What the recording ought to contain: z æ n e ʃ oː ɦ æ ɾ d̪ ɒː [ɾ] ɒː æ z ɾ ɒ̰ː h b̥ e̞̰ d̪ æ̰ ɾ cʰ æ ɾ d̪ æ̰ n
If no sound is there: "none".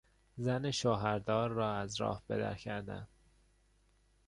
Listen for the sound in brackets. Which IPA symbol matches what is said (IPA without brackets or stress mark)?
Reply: ɾː